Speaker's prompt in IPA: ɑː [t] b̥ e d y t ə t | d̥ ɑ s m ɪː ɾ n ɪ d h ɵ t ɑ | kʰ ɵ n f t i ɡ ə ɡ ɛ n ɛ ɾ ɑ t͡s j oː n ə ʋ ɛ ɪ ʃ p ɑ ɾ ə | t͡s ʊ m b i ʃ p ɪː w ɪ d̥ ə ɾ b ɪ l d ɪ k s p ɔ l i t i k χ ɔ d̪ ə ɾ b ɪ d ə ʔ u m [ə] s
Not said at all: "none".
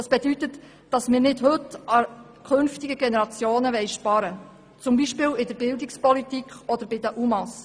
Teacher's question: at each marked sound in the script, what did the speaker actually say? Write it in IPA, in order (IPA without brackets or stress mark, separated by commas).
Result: s, ɑ